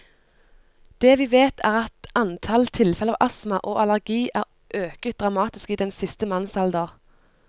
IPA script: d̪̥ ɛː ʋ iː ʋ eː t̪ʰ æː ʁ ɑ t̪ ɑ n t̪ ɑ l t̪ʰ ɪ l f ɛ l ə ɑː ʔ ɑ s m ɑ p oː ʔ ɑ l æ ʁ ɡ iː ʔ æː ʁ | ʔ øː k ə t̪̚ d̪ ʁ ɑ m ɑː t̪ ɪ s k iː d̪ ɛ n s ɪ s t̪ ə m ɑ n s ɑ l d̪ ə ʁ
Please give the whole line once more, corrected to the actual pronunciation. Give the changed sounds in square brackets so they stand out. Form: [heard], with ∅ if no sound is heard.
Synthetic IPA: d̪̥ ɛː ʋ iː ʋ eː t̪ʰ æː ʁ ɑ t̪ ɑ n [t̪ʰ] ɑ l t̪ʰ ɪ l f ɛ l ə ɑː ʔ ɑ s m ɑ [ʔ] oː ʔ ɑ l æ ʁ ɡ iː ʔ æː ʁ | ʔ øː k ə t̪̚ d̪ ʁ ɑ m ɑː t̪ ɪ s k iː d̪ ɛ n s ɪ s t̪ ə m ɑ n s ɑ l d̪ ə ʁ